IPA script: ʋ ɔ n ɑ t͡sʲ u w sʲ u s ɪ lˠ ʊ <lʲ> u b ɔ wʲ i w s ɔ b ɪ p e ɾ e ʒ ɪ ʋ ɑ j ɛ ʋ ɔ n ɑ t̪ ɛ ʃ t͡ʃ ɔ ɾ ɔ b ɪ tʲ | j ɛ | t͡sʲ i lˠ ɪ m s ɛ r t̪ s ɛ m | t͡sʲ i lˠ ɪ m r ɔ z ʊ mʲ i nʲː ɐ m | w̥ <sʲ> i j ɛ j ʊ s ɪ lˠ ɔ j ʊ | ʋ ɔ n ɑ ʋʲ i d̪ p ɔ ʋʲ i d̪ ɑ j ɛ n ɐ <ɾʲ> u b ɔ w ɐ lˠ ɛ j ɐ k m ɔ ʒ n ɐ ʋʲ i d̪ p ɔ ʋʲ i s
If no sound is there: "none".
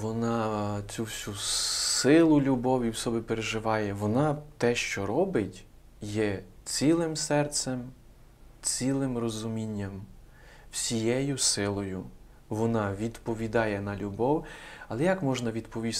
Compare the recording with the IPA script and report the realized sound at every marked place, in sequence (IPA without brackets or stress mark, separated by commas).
lʲ, sʲ, lʲ